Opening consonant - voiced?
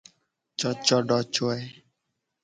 no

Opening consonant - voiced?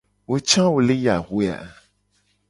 yes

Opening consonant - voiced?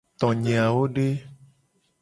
no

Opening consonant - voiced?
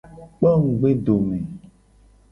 no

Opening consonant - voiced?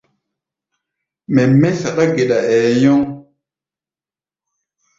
yes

